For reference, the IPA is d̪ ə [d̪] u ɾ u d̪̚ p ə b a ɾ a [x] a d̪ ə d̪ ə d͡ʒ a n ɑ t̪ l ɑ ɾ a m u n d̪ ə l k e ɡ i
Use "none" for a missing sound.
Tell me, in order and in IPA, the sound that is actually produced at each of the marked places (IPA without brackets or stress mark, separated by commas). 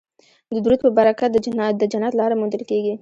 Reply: d̪, k